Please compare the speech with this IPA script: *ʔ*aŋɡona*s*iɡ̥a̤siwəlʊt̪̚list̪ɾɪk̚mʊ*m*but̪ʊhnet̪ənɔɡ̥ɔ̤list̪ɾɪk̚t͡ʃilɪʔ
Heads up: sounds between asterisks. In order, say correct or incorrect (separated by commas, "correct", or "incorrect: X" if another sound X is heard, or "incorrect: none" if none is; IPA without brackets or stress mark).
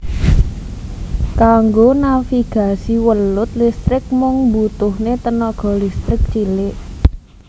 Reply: incorrect: k, incorrect: f, incorrect: ŋ